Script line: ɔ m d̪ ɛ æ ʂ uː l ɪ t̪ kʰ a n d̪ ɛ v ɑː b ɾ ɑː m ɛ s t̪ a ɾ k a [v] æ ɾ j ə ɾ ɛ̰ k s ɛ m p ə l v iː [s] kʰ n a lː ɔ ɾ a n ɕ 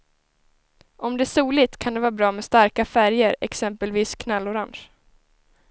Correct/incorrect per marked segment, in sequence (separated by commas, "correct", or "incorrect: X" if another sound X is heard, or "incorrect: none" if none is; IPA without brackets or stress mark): incorrect: f, correct